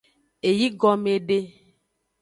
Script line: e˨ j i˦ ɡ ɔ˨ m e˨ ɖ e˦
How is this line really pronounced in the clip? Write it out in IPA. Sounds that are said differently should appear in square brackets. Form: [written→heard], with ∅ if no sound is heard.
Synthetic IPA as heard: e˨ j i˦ ɡ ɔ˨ m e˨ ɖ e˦